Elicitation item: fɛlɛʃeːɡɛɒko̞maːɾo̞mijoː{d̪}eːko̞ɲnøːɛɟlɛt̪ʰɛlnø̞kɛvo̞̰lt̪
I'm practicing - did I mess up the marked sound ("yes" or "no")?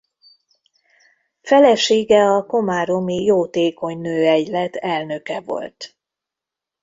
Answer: yes